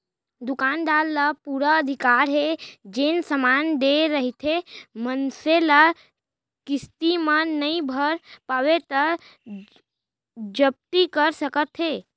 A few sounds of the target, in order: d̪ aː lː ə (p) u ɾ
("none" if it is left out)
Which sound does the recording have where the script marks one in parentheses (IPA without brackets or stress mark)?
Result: p